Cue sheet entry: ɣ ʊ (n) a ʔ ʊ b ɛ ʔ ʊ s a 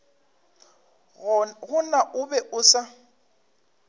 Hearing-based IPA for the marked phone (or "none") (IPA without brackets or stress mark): n